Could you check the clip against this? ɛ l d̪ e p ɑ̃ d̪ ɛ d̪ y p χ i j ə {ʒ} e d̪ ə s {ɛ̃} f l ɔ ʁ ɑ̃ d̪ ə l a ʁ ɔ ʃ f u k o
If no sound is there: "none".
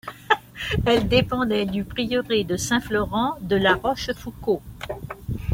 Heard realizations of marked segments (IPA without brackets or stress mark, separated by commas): ʁ, ɛ̃